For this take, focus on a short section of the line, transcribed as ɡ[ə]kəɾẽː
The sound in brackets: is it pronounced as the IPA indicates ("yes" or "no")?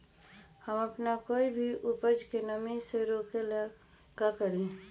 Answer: no